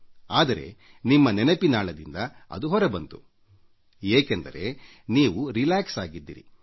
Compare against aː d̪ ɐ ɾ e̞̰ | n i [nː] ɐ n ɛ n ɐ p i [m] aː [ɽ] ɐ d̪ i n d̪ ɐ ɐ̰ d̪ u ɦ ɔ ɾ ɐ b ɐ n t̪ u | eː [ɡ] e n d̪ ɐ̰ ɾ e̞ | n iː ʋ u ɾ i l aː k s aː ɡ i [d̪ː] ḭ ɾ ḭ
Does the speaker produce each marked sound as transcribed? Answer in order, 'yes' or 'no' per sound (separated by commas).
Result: no, no, no, no, yes